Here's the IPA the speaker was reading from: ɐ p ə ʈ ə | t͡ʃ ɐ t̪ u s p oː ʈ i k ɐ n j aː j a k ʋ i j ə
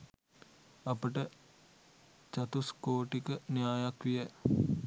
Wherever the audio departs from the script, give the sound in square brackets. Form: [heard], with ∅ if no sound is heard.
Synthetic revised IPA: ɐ p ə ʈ ə | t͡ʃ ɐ t̪ u s [k] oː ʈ i k [ə] n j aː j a k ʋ i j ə

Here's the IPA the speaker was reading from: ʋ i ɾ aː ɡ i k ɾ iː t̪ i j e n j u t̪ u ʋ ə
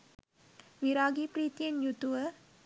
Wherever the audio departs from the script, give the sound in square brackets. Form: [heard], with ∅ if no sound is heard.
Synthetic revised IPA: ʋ i ɾ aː ɡ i [p] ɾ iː t̪ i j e n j u t̪ u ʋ ə

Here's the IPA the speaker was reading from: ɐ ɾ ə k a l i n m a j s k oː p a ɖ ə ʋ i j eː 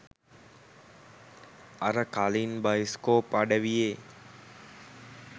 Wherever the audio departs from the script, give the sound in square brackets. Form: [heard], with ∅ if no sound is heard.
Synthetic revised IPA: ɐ ɾ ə k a l i n [b] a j s k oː p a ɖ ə ʋ i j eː

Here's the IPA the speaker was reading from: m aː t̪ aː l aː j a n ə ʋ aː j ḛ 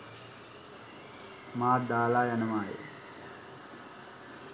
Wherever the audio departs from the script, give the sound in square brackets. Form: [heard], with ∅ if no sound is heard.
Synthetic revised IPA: m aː [d̪] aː l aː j a n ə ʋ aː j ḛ

